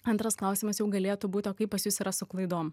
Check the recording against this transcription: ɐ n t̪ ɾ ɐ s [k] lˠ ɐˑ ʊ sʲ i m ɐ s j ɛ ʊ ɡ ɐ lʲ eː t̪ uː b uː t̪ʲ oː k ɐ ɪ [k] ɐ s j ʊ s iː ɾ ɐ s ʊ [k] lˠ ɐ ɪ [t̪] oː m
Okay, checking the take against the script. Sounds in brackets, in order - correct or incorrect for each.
correct, incorrect: p, correct, incorrect: d̪

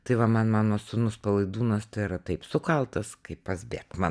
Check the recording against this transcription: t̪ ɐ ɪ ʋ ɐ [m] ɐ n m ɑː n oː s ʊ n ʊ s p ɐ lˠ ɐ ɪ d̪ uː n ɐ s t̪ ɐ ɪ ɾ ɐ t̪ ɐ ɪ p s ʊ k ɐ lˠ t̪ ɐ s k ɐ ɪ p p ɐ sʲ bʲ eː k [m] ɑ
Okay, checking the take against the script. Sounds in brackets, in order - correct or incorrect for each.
correct, correct

